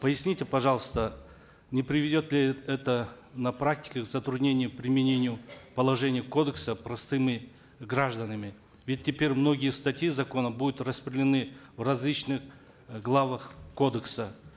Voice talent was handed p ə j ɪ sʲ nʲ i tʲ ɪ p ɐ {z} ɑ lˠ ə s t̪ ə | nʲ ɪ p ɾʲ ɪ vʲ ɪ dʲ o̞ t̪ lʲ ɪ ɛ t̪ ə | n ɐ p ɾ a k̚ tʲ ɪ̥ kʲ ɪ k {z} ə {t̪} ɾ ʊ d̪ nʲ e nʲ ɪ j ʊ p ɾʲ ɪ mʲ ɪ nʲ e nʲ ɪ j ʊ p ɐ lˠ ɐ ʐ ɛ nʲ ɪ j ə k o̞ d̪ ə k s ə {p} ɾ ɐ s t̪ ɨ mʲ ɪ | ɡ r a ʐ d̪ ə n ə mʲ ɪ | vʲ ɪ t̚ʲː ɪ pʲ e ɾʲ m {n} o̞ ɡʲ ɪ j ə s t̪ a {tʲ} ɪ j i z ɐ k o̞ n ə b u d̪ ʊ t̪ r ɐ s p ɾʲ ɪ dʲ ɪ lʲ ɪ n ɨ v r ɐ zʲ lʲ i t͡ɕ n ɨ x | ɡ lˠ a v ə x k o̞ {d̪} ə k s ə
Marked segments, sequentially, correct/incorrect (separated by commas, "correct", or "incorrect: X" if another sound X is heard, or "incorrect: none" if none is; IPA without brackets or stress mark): incorrect: ʐ, correct, correct, correct, correct, correct, correct